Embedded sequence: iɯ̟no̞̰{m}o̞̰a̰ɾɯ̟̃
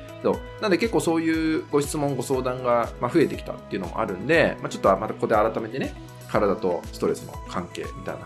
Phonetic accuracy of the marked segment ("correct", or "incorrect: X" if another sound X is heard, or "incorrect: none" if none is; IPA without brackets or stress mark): correct